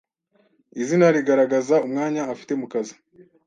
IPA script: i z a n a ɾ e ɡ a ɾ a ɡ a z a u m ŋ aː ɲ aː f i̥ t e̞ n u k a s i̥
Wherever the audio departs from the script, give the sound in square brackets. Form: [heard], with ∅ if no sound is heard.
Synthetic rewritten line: i z [i] n a ɾ [i] ɡ a ɾ a ɡ a z a u m ŋ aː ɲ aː f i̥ t e̞ [m] u k a [z] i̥